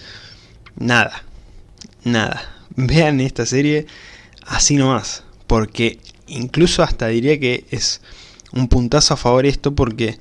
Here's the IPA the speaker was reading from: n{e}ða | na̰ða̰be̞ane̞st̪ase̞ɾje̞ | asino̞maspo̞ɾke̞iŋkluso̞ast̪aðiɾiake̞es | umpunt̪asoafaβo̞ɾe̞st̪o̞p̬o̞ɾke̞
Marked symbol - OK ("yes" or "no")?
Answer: no